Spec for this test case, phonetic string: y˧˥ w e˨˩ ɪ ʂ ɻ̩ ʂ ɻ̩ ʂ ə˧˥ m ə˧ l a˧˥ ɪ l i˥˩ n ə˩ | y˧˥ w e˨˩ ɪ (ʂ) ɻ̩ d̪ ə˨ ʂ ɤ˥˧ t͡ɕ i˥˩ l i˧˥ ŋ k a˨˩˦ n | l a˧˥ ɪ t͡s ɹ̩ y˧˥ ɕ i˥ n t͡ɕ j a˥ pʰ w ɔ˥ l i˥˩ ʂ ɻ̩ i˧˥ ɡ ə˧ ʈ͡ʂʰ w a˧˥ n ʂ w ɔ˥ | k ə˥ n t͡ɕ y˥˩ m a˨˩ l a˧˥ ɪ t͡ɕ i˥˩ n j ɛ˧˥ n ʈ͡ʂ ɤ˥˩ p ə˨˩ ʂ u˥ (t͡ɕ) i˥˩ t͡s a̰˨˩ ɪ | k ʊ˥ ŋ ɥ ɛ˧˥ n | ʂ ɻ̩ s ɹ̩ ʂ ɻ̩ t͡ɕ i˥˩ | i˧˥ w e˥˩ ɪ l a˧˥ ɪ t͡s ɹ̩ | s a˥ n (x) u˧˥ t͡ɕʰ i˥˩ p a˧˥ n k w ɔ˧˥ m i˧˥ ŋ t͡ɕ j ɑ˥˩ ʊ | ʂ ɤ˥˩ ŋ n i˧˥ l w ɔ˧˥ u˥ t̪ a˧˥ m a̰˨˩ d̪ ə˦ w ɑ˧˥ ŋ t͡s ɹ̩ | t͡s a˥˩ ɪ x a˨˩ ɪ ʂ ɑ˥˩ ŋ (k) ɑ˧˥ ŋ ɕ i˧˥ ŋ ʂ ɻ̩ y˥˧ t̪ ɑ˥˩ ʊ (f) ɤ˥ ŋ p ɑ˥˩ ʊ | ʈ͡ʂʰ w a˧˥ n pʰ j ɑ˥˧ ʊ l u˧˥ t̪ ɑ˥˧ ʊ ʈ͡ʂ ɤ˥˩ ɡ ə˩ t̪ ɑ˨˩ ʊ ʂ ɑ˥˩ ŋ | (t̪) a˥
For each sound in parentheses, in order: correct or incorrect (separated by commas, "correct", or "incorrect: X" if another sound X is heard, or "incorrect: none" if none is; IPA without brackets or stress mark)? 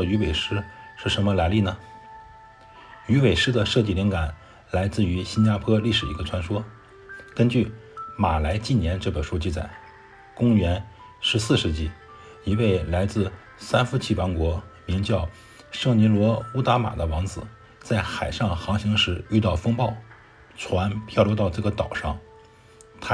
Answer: correct, correct, incorrect: f, incorrect: x, correct, incorrect: t̪ʰ